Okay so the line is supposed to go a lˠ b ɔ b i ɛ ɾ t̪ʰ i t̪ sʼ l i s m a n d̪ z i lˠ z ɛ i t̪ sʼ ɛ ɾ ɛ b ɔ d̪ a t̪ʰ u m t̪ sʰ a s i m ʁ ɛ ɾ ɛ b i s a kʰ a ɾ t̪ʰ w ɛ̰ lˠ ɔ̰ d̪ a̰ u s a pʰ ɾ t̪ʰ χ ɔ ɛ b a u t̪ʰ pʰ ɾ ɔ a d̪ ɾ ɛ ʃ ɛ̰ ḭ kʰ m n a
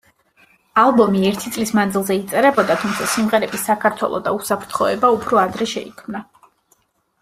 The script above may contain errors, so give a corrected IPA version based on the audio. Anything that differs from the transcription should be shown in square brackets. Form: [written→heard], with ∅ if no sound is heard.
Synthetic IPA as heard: a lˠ b ɔ [b→m] i ɛ ɾ t̪ʰ i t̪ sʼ l i s m a n d̪ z i lˠ z ɛ i t̪ sʼ ɛ ɾ ɛ b ɔ d̪ a t̪ʰ u m t̪ sʰ a s i m ʁ ɛ ɾ ɛ b i s a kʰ a ɾ t̪ʰ w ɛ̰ lˠ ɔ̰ d̪ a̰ u s a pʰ ɾ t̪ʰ χ ɔ ɛ b a u [t̪ʰ→∅] pʰ ɾ ɔ a d̪ ɾ ɛ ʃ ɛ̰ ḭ kʰ m n a